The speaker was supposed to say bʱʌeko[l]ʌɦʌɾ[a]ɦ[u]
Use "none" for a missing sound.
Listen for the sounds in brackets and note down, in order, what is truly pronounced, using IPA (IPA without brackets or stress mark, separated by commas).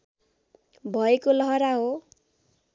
l, a, o